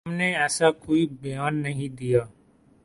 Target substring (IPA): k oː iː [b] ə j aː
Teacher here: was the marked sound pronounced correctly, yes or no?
yes